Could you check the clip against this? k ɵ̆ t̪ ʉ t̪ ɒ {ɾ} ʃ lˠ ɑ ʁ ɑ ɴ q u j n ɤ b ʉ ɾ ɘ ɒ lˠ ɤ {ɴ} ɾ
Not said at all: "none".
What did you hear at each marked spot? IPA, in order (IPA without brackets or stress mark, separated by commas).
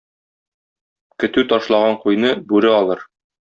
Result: none, none